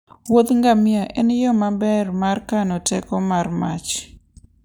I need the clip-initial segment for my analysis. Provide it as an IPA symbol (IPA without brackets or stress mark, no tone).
w